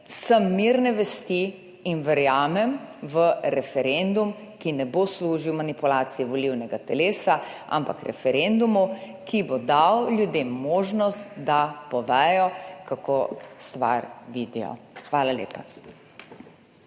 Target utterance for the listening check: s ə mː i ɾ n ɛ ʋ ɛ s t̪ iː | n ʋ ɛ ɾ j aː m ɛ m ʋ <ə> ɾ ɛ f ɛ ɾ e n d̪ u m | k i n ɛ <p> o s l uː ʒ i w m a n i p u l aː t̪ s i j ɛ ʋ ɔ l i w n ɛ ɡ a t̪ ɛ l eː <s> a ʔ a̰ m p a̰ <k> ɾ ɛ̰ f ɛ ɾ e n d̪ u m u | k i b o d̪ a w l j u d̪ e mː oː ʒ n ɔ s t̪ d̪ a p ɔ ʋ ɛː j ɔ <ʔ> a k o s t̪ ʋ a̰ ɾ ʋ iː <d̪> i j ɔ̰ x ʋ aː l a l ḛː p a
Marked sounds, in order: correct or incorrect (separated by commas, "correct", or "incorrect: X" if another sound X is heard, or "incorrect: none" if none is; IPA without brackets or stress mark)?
correct, incorrect: b, correct, correct, incorrect: k, correct